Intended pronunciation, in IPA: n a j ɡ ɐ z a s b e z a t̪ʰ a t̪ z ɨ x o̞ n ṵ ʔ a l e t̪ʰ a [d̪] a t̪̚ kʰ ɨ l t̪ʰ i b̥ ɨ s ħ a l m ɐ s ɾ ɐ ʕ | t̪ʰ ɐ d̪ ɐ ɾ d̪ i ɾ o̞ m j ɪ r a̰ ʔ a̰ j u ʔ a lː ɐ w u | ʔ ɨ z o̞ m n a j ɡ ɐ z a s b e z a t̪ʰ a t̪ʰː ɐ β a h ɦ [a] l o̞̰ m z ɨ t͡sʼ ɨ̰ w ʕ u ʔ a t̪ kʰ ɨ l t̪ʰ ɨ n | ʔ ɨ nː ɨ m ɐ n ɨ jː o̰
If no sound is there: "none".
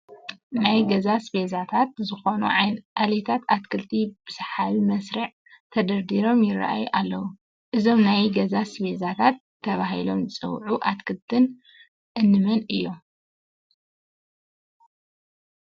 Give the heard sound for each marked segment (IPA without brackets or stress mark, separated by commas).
t̪, i